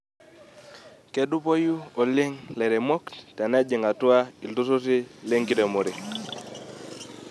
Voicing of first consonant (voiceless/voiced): voiceless